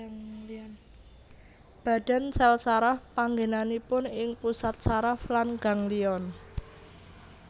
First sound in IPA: b̥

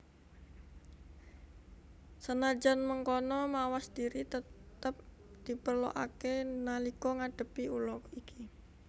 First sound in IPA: s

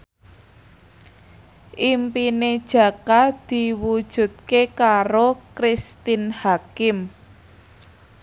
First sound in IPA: ʔ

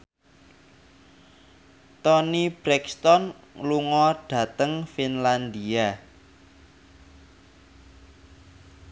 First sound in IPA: t̪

